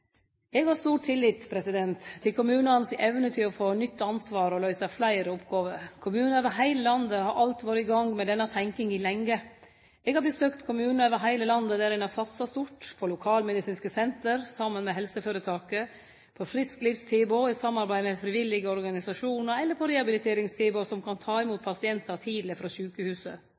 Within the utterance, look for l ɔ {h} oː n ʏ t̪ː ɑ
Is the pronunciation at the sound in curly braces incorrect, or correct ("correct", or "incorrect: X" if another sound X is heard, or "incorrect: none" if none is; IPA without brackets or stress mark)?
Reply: incorrect: f